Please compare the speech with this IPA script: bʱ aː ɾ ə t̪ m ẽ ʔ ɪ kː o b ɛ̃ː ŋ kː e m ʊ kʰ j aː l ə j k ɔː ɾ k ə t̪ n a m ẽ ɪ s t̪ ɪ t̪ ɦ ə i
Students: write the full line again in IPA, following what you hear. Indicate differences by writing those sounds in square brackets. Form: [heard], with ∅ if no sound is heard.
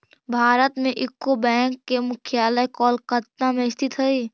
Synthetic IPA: bʱ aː ɾ ə t̪ m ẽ ʔ ɪ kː o b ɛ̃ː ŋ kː e m ʊ kʰ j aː l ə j k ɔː [l] k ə t̪ n a m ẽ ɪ s t̪ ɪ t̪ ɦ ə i